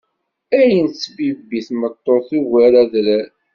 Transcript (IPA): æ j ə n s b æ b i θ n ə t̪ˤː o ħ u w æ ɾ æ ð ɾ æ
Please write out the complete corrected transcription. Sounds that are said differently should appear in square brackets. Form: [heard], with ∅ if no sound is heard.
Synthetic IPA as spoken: æ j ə n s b [i] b i θ [m] ə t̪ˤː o [θ] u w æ ɾ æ ð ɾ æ

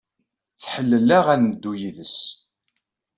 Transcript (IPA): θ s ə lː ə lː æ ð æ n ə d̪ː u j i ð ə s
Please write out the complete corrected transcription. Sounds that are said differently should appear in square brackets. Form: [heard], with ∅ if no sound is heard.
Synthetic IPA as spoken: θ [ħ] ə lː ə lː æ [ʁ] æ n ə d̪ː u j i ð ə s

